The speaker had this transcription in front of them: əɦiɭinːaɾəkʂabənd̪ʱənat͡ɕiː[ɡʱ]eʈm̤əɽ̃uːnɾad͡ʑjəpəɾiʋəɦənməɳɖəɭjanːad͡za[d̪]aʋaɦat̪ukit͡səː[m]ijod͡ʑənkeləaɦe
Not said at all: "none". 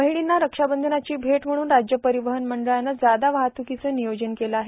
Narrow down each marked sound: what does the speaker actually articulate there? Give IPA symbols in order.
bʱ, d̪, n

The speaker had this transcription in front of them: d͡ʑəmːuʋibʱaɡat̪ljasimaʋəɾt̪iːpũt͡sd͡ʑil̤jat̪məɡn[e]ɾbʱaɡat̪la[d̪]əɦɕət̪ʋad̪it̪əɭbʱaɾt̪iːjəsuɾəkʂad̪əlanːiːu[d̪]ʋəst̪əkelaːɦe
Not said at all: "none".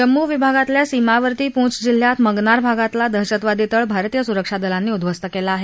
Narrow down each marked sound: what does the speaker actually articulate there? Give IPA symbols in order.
a, d̪, d̪

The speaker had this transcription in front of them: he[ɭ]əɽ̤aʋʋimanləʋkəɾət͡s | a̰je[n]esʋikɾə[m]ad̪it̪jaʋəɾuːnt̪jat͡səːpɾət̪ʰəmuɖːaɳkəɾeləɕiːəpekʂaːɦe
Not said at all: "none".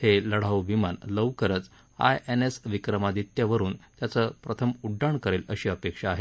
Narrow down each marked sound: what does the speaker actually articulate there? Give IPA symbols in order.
l, n, m

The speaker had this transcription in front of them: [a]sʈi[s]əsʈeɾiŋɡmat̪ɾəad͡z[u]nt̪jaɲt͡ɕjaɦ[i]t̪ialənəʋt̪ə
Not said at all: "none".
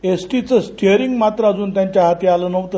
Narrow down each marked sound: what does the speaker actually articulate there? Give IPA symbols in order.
e, t͡s, uː, a

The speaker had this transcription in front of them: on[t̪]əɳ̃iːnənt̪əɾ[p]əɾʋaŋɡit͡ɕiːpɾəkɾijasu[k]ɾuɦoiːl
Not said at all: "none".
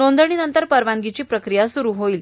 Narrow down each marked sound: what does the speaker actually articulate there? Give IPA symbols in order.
d̪, p, none

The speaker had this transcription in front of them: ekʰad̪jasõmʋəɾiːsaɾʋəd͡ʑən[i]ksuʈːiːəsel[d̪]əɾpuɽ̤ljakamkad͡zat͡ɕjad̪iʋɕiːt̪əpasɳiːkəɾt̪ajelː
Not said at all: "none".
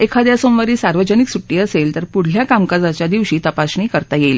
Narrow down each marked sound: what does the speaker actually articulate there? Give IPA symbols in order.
i, t̪

